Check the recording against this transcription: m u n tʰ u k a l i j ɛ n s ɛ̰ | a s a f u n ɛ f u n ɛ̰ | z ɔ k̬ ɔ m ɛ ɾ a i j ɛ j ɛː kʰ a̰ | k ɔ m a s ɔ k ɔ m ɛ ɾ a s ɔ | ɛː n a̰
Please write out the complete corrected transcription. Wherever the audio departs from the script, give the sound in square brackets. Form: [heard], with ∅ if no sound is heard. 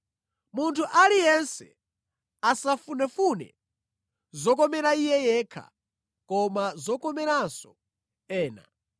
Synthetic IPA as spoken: m u n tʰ u [ʔ] a l i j ɛ n s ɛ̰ | a s a f u n ɛ f u n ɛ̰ | z ɔ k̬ ɔ m ɛ ɾ a i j ɛ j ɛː kʰ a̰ | k ɔ m a [z] ɔ k ɔ m ɛ ɾ a s ɔ | ɛː n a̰